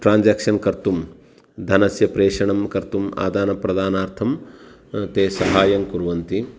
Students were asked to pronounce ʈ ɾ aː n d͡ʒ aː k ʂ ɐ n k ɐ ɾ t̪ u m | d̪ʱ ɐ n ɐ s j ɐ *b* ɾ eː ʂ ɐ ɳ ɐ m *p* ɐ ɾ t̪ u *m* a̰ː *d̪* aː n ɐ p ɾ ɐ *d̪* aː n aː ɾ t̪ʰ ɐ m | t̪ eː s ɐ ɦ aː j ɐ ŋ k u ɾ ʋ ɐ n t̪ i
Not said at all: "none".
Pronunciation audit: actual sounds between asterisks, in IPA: p, k, m, d̪, d̪

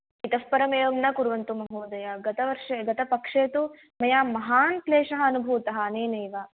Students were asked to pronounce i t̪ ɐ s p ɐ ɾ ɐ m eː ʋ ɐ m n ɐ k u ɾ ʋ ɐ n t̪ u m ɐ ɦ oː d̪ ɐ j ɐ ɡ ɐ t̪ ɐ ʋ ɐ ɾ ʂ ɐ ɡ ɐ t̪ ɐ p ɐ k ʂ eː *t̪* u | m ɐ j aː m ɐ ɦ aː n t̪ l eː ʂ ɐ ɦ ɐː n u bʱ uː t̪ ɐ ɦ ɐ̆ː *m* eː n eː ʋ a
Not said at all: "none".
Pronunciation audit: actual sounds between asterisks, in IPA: t̪, n

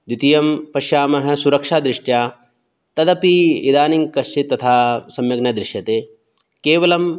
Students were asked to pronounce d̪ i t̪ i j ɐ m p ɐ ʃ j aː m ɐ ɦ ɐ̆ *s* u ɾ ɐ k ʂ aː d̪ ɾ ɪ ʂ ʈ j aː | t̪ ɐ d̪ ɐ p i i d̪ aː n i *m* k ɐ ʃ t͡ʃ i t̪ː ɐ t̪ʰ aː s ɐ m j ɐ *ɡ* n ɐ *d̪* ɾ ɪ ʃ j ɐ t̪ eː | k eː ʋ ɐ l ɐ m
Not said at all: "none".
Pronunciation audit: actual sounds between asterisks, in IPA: s, ŋ, ɡ, d̪

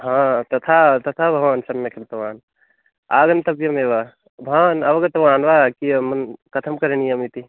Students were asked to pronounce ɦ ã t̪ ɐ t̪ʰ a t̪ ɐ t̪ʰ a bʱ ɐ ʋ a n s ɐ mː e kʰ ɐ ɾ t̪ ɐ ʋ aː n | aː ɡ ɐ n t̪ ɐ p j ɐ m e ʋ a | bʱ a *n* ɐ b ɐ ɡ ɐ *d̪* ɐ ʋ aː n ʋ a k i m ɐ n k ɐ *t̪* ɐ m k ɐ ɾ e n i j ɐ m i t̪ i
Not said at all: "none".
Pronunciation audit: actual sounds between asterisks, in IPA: n, t̪, t̪ʰ

